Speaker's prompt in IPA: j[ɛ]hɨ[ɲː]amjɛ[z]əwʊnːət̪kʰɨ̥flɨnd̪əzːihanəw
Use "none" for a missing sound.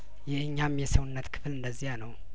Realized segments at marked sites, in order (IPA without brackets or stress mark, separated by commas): ɛ, ɲː, s